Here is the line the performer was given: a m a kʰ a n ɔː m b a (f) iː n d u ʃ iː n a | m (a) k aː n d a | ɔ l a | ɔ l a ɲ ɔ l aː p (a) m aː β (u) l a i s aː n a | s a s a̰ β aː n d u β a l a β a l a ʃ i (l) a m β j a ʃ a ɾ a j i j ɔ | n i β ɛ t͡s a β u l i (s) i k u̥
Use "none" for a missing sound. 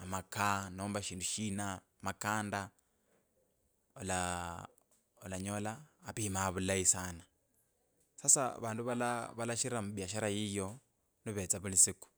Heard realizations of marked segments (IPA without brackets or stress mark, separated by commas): ʃ, a, i, u, ɾ, s